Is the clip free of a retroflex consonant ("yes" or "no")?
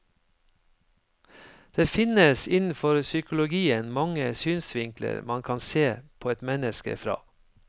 yes